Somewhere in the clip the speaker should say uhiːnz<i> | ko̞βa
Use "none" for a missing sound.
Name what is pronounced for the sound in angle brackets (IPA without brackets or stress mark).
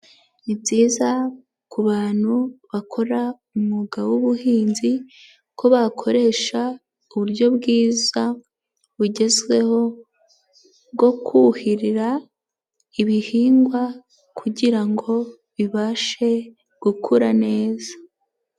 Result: i